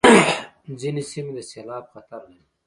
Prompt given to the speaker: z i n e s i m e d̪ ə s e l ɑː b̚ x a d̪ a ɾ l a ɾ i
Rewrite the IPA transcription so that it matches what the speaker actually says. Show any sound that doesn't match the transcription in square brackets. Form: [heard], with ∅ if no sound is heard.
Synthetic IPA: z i n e s i m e d̪ ə s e l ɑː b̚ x a [t̪] a ɾ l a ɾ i

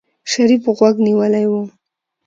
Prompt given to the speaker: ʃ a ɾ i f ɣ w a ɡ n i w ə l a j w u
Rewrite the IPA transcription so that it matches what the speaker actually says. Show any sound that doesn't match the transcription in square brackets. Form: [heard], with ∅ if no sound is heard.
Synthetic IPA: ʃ a ɾ i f ɣ w a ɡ n i w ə l a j w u

